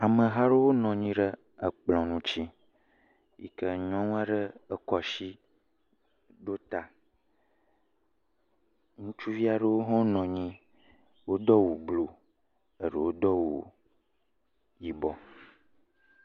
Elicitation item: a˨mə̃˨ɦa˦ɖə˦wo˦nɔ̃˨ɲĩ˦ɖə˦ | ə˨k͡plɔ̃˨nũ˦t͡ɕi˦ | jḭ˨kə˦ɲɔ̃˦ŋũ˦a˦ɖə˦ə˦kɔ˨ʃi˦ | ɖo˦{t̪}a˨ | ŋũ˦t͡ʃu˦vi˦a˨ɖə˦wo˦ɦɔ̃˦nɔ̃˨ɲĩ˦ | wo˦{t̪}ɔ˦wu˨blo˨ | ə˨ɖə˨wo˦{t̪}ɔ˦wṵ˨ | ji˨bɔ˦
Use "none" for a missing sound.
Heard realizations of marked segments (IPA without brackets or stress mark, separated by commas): t̪, d̪, d̪